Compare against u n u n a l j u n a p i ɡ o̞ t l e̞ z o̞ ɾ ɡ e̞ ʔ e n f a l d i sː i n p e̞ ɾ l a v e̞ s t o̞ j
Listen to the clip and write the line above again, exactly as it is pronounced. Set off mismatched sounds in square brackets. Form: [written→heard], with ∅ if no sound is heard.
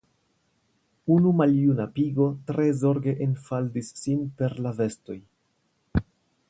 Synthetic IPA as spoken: u n u [n→m] a l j u n a p i ɡ o̞ t [l→ɾ] e̞ z o̞ ɾ ɡ e̞ ʔ e n f a l d i sː i n p e̞ ɾ l a v e̞ s t o̞ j